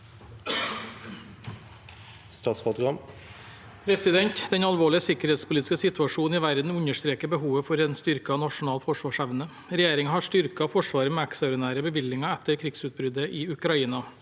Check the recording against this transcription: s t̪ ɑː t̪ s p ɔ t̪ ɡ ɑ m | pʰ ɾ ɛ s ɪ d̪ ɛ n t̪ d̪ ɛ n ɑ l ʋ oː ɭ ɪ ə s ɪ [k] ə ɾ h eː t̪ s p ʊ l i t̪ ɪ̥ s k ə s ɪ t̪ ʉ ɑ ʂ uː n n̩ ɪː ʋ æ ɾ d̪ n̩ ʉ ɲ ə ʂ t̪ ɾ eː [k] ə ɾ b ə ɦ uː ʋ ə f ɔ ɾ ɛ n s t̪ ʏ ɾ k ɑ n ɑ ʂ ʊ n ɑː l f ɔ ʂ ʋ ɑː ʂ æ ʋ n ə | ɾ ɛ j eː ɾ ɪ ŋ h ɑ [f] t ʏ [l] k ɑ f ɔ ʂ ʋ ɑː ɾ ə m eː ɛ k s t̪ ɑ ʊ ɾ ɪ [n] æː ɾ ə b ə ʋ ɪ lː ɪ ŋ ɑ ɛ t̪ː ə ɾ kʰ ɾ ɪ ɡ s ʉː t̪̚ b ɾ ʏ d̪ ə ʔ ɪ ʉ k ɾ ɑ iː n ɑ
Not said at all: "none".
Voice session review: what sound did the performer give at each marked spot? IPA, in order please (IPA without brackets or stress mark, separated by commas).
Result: k, k, ʂ, ɾ, n